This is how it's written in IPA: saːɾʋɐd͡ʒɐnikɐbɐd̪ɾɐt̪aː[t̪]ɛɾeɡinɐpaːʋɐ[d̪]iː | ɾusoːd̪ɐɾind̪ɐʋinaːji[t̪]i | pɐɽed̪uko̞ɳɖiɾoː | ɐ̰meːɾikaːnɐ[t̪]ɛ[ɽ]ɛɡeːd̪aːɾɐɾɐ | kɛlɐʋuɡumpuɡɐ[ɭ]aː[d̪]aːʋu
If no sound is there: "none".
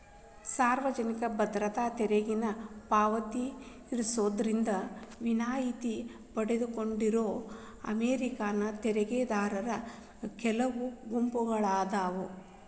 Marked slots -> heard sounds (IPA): t̪, t̪, t̪, t̪, ɾ, ɭ, d̪

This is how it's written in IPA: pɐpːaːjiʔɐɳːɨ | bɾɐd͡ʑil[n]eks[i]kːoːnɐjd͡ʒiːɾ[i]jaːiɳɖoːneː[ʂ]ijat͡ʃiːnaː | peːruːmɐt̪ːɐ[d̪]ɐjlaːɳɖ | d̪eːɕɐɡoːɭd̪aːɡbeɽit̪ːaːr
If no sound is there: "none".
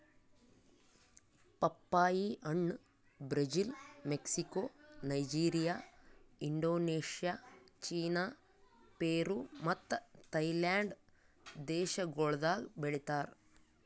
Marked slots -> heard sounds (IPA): m, i, i, ʂ, t̪

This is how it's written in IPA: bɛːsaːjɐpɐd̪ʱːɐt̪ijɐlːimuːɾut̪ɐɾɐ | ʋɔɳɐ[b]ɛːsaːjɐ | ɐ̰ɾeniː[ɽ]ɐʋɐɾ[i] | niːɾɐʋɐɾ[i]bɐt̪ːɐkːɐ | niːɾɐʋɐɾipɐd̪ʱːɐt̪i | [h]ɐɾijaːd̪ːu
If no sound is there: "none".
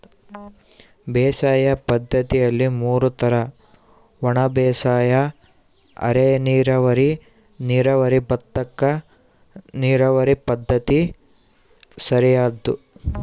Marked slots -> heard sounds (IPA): b, ɾ, i, i, s

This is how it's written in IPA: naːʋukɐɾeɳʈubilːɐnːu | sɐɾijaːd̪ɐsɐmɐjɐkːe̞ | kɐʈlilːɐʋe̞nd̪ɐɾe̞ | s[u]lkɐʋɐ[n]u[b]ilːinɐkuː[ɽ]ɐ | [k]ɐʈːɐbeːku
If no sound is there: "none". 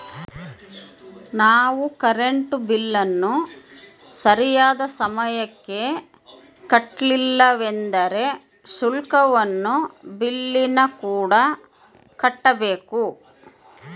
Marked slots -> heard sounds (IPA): u, nː, b, ɽ, k

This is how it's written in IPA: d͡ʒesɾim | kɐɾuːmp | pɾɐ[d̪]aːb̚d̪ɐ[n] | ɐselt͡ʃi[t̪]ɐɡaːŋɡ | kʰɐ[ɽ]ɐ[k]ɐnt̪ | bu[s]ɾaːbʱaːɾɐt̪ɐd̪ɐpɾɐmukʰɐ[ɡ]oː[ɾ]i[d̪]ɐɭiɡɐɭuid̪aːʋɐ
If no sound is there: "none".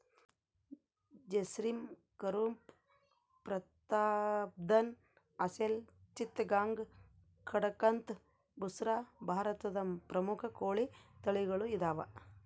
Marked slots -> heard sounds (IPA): t̪, n, t̪, ɽ, k, s, k, ɭ, t̪

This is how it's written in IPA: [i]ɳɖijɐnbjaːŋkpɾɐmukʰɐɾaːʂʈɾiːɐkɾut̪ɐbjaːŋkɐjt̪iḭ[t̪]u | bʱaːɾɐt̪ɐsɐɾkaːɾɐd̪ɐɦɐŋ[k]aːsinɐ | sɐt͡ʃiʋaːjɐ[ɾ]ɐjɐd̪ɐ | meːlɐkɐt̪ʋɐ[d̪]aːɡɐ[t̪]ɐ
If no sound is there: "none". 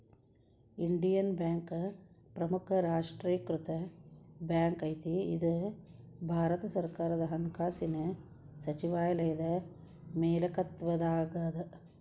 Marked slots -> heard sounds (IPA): i, d̪, k, l, d̪, d̪

